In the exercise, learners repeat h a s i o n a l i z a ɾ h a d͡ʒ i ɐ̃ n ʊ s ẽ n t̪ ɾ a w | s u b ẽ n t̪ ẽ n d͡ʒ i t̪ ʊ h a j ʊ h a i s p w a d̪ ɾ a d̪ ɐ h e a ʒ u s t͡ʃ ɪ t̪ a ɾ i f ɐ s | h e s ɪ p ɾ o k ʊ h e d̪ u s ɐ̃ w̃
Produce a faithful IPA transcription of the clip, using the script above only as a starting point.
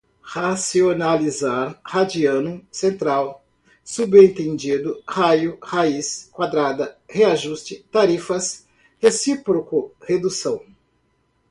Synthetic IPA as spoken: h a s i o n a l i z a ɾ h a d͡ʒ i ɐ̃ n ʊ s ẽ n t̪ ɾ a w | s u b ẽ n t̪ ẽ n d͡ʒ i d̪ ʊ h a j ʊ h a i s k w a d̪ ɾ a d̪ ɐ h e a ʒ u s t͡ʃ ɪ t̪ a ɾ i f ɐ s | h e s i p ɾ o k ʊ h e d̪ u s ɐ̃ w̃

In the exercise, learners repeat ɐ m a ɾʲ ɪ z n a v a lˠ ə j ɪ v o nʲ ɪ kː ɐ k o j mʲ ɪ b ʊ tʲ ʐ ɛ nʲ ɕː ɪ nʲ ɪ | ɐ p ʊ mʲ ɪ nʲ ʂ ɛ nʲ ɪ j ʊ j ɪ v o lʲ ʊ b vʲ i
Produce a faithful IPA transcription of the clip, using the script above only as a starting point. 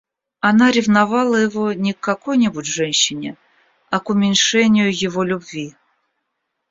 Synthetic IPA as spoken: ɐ n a ɾʲ ɪ v n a v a lˠ ə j ɪ v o nʲ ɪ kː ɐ k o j nʲ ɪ b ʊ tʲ ʐ ɛ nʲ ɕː ɪ nʲ ɪ | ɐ k ʊ mʲ ɪ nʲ ʂ ɛ nʲ ɪ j ʊ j ɪ v o lʲ ʊ b vʲ i

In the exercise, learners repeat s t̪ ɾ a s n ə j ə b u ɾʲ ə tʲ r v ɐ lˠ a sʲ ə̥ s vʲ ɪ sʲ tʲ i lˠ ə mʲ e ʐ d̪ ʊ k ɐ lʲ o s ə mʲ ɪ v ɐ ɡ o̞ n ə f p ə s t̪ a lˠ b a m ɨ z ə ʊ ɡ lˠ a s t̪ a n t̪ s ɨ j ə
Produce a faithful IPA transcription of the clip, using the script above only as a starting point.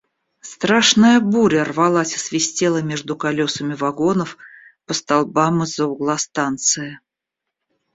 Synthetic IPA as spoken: s t̪ ɾ a ʂ n ə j ə b u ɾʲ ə r v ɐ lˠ a sʲ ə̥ s vʲ ɪ sʲ tʲ e lˠ ə mʲ e ʐ d̪ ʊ k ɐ lʲ o s ə mʲ ɪ v ɐ ɡ o̞ n ə f p ə s t̪ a lˠ b a m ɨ z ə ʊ ɡ lˠ a s t̪ a n t̪ s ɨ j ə

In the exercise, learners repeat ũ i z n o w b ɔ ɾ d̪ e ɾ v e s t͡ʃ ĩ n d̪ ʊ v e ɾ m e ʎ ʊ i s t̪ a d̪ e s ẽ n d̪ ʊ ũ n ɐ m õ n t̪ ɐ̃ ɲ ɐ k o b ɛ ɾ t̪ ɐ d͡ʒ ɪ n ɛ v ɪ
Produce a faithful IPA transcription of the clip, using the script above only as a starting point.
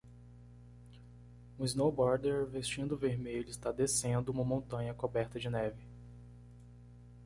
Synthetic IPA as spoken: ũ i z n o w b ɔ ɾ d̪ e ɾ v e s t͡ʃ ĩ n d̪ ʊ v e ɾ m e ʎ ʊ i s t̪ a d̪ e s ẽ n d̪ ʊ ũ m ɐ m õ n t̪ ɐ̃ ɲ ɐ k o b ɛ ɾ t̪ ɐ d͡ʒ ɪ n ɛ v ɪ

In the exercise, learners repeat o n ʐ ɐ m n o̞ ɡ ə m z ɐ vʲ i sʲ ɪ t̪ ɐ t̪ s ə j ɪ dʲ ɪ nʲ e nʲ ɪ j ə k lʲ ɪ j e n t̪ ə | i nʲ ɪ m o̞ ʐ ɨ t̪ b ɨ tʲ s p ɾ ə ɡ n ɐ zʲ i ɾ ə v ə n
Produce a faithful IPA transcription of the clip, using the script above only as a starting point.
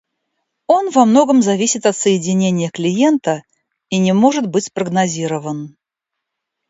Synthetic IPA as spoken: o n v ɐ m n o̞ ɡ ə m z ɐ vʲ i sʲ ɪ t̪ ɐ t̪ s ə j ɪ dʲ ɪ nʲ e nʲ ɪ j ə k lʲ ɪ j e n t̪ ə | i nʲ ɪ m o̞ ʐ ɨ t̪ b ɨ tʲ s p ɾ ə ɡ n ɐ zʲ i ɾ ə v ə n

